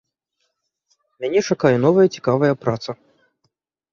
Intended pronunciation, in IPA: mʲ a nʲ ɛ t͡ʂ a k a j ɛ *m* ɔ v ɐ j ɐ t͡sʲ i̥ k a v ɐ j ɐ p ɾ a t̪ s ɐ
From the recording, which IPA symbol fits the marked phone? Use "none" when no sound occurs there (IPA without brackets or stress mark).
n